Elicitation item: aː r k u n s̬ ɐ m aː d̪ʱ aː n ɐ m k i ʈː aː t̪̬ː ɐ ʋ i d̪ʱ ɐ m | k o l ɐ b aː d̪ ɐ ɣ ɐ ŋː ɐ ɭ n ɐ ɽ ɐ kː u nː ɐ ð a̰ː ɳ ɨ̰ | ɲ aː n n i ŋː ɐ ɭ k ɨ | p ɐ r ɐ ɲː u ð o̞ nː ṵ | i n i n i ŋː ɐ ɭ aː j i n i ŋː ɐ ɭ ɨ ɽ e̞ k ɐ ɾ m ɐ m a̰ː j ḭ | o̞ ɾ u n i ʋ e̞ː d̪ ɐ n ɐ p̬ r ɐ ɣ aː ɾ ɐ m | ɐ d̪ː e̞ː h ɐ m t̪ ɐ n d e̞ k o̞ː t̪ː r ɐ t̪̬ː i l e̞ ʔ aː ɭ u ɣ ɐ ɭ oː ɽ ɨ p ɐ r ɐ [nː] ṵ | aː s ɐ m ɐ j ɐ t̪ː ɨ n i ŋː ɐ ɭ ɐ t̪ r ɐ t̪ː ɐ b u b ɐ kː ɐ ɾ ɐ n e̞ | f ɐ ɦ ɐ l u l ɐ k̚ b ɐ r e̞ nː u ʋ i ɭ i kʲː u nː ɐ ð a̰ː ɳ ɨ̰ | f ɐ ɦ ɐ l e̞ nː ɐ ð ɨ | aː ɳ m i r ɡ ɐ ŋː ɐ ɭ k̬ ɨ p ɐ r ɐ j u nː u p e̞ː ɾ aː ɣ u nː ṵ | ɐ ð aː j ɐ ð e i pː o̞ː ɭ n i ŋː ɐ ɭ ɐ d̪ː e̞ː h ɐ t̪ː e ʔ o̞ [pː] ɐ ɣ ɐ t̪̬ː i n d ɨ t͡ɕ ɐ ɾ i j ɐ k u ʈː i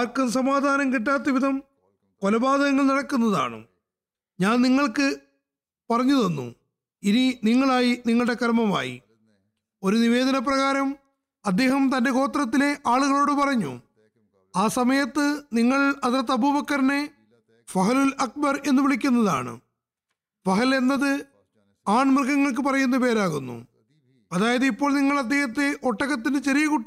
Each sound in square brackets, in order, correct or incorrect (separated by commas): incorrect, incorrect